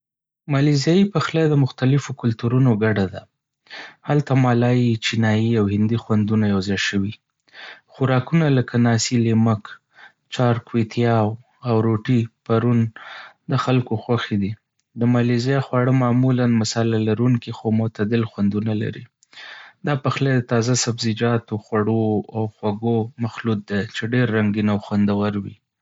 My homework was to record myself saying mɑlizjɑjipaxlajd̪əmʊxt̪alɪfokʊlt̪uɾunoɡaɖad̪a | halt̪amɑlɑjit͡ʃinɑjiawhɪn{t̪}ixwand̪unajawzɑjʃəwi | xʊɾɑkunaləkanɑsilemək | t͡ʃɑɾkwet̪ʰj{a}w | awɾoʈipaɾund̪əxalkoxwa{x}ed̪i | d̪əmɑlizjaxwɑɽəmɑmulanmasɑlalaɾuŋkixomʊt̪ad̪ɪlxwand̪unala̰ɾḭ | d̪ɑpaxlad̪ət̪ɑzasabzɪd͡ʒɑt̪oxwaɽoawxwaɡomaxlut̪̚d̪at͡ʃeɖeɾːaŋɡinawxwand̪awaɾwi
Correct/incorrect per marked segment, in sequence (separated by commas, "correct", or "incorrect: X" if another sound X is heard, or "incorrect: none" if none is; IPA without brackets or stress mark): incorrect: d̪, incorrect: ɑ, correct